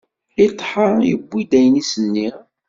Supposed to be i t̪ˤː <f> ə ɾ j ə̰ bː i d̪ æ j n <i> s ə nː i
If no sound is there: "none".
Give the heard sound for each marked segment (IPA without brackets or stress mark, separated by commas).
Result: ħ, i